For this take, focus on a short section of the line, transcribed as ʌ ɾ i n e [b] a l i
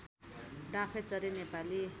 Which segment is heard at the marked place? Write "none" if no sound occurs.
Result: p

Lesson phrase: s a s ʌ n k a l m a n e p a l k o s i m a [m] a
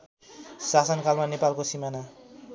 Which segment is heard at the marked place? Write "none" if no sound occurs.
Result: n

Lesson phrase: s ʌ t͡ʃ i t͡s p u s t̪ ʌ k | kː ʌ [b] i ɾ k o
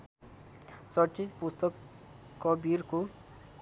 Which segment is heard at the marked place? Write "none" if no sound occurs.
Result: b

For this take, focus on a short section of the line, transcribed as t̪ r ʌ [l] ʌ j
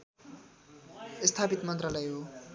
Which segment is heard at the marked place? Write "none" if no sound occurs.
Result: l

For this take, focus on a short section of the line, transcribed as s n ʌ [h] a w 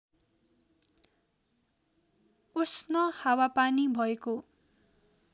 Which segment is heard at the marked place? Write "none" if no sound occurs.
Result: h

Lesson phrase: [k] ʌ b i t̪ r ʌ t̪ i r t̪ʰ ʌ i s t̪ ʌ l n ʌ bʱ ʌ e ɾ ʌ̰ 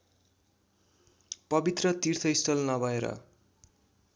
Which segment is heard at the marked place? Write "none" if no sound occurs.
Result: p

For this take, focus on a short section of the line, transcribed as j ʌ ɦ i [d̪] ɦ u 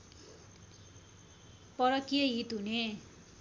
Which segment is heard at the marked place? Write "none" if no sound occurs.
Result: t̪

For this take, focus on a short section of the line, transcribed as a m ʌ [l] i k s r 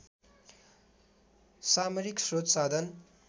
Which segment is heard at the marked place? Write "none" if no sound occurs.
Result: ɾ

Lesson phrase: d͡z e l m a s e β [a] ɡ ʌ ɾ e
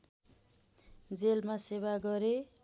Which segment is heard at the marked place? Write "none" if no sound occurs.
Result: a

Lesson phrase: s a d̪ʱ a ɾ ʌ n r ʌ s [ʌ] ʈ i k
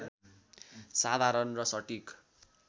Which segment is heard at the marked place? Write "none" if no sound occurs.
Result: ʌ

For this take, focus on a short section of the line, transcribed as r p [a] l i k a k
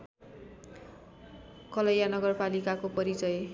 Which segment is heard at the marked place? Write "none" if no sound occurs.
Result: a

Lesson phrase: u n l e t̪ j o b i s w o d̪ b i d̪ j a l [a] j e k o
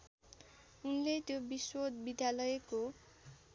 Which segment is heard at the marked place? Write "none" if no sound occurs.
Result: ʌ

